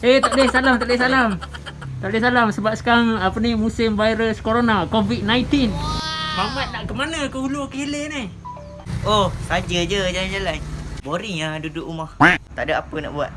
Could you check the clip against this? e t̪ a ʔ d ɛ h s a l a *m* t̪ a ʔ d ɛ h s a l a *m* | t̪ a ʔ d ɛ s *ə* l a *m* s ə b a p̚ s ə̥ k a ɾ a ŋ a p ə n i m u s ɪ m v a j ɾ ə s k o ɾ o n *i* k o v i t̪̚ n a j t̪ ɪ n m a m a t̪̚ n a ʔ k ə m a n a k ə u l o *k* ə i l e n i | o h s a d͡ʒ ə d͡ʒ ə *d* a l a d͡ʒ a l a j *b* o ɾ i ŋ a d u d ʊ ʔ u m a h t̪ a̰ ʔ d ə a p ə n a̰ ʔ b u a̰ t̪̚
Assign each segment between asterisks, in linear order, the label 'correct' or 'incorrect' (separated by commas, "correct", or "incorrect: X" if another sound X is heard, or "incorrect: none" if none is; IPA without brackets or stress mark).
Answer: correct, correct, incorrect: a, correct, incorrect: a, correct, incorrect: d͡ʒ, correct